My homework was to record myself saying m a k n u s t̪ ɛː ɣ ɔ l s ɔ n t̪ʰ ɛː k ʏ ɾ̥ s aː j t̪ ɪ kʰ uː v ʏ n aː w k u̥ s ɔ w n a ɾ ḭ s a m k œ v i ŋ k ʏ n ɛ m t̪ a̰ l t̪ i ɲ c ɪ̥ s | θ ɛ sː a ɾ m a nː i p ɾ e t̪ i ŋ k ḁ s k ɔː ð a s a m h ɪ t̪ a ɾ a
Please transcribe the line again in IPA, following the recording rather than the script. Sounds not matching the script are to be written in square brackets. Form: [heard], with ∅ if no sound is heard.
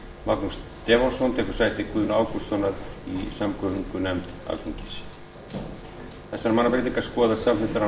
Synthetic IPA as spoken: m a k n u s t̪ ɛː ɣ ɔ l s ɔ n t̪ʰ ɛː k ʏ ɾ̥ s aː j t̪ ɪ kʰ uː [ð] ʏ n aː w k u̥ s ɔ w n a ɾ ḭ s a m k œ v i ŋ k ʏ n ɛ m t̪ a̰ l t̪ i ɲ c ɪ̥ s | θ ɛ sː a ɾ m a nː [a] p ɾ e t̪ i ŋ k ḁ s k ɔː ð a s a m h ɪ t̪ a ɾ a